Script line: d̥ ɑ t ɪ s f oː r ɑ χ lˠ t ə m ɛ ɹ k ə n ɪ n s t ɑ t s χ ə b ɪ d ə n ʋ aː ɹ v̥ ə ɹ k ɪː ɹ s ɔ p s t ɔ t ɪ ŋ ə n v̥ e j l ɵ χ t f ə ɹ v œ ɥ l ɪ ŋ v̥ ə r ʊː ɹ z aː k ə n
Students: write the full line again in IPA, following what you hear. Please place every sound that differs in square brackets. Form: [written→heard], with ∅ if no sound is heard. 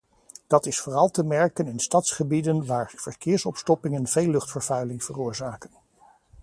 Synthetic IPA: d̥ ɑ t ɪ s f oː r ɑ [χ→∅] lˠ t ə m ɛ ɹ k ə n ɪ n s t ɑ t s χ ə b [ɪ→i] d ə n ʋ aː ɹ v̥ ə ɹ k ɪː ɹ s ɔ p s t ɔ [t→p] ɪ ŋ ə n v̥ e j l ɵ χ t f ə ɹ v œ ɥ l ɪ ŋ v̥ ə r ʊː ɹ z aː k ə n